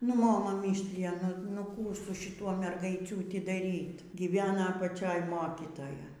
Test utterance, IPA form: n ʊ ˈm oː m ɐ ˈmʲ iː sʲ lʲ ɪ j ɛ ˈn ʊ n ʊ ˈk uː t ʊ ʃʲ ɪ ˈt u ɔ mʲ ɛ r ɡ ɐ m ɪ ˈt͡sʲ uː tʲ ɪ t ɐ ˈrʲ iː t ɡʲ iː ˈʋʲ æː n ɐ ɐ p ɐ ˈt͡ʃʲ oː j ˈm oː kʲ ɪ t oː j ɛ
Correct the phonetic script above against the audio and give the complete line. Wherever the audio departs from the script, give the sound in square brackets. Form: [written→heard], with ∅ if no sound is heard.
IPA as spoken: n ʊ ˈm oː m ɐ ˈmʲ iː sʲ lʲ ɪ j ɛ ˈn ʊ n ʊ ˈk uː [t→s] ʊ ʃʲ ɪ ˈt u ɔ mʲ ɛ r ɡ ɐ [m→∅] ɪ ˈt͡sʲ uː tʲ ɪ [t→d] ɐ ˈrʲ iː t ɡʲ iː ˈʋʲ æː n ɐ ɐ p ɐ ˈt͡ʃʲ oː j ˈm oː kʲ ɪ t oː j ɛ